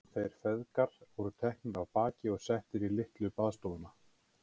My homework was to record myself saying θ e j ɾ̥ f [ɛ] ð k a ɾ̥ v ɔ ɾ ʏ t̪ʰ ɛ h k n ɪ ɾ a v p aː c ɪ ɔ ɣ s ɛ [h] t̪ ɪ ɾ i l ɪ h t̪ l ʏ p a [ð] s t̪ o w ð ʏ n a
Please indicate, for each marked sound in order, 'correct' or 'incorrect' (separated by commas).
correct, correct, correct